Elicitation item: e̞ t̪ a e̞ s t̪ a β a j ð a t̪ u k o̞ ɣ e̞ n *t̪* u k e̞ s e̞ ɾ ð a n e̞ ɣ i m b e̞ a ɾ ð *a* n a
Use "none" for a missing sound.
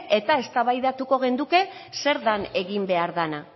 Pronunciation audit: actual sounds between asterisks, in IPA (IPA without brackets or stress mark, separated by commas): d̪, a